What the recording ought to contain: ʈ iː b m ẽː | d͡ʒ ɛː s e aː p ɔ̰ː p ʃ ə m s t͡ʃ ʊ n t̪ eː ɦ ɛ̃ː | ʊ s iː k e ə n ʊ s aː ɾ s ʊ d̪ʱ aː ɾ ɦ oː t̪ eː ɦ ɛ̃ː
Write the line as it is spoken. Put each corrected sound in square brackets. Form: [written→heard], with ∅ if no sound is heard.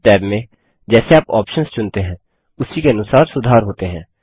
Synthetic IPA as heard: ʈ [iː→ɛː] b m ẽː | d͡ʒ ɛː s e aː p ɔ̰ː p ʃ ə [m→n] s t͡ʃ ʊ n t̪ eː ɦ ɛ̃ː | ʊ s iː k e ə n ʊ s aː ɾ s ʊ d̪ʱ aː ɾ ɦ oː t̪ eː ɦ ɛ̃ː